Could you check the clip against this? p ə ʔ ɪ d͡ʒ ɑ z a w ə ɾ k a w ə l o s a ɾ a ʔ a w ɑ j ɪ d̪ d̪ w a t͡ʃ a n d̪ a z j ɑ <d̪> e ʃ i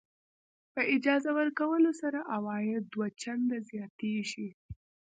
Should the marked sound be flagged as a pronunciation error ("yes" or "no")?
yes